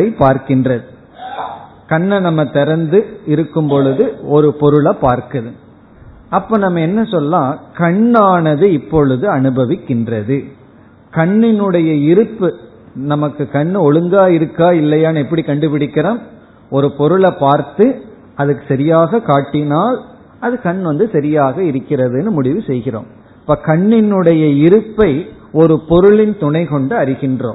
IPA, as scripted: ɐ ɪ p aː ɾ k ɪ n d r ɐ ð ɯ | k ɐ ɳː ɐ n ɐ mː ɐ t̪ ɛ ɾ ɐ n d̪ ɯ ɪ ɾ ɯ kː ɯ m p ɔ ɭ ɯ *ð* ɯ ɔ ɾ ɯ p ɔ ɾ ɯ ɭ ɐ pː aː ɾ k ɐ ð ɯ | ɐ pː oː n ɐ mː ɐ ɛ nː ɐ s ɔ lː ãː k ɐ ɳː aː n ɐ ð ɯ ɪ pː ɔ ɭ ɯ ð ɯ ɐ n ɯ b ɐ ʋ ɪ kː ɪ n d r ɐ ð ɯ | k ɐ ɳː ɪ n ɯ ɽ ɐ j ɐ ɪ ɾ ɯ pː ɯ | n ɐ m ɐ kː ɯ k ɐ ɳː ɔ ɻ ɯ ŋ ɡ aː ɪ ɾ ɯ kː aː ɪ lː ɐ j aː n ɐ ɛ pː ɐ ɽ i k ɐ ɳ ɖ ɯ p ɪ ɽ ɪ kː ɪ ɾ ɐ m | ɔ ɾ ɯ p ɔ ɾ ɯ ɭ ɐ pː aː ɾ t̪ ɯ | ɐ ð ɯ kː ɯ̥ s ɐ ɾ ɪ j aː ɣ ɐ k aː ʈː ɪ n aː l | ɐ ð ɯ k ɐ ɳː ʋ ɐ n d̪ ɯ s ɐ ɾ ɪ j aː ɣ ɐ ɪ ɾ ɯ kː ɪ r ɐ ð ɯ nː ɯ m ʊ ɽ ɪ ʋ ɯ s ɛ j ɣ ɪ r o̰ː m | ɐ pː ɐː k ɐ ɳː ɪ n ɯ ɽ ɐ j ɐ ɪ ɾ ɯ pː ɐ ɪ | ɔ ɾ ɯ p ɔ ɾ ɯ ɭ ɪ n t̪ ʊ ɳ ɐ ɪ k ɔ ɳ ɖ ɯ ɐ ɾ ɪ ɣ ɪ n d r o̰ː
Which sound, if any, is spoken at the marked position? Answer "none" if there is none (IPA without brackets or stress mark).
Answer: ð